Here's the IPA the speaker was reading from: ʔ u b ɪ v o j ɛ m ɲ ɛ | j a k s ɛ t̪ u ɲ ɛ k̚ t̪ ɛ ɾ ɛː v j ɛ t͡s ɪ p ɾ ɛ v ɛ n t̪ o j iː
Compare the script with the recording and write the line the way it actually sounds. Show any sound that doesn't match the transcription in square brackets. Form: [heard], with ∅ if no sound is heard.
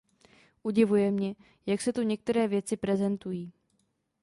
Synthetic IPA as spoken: ʔ u [ɟ] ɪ v [u] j ɛ m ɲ ɛ | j a k s ɛ t̪ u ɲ ɛ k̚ t̪ ɛ ɾ ɛː v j ɛ t͡s ɪ p ɾ ɛ [z] ɛ n t̪ [u] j iː